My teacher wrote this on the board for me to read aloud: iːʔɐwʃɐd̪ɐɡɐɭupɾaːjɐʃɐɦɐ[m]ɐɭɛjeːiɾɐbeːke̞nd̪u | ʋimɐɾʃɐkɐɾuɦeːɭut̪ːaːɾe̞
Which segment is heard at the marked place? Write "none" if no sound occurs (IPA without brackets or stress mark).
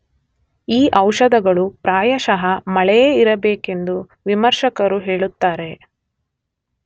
m